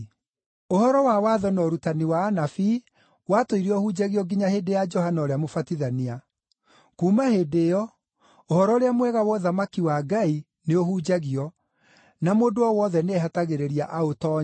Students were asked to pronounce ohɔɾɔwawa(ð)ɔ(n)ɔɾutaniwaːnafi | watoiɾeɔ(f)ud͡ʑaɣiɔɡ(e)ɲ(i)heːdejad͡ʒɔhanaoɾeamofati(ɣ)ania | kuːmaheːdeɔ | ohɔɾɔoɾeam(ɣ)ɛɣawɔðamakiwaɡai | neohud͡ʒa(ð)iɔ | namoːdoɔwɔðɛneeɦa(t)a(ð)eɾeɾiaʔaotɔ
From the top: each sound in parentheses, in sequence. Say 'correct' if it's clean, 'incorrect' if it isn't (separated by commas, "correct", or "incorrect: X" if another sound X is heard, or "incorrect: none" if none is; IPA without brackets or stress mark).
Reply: correct, correct, incorrect: h, incorrect: i, incorrect: a, incorrect: ð, incorrect: w, incorrect: ɣ, correct, incorrect: ɣ